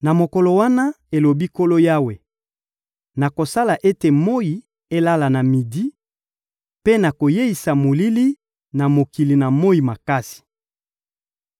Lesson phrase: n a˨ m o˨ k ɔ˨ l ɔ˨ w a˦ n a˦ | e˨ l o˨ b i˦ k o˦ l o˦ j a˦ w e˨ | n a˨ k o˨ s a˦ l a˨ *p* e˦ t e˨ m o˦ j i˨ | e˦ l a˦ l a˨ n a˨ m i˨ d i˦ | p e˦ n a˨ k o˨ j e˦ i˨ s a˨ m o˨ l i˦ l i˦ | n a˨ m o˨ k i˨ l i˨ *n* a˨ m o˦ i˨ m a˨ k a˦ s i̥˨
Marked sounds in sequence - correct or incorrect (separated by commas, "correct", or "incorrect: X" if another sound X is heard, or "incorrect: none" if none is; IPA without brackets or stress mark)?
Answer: incorrect: ʔ, correct